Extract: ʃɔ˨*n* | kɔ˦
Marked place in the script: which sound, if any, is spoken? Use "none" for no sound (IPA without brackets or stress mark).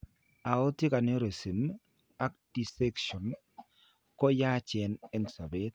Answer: n